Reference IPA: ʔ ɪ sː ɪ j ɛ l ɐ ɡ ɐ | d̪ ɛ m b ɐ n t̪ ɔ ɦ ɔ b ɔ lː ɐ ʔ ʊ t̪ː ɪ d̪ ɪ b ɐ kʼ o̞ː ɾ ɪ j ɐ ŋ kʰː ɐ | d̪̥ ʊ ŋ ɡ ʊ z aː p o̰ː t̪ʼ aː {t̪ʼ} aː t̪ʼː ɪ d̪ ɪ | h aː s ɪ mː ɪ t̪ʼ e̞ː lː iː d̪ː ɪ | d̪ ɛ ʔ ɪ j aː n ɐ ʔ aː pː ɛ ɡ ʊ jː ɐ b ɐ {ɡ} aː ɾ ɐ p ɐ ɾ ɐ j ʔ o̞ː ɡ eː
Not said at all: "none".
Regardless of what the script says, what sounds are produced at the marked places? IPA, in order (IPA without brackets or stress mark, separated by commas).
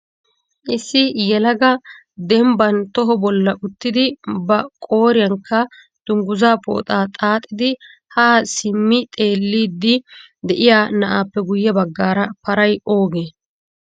t̪ʼ, ɡː